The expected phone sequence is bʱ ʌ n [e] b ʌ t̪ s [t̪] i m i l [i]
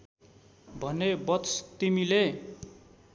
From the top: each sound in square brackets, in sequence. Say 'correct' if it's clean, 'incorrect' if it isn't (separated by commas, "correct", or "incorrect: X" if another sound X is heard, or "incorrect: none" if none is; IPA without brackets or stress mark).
correct, correct, incorrect: e